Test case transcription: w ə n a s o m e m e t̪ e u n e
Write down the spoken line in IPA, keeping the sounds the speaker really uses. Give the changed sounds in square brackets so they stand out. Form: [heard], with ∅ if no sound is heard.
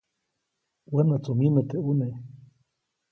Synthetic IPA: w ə n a [t͡s] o m [i] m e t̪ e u n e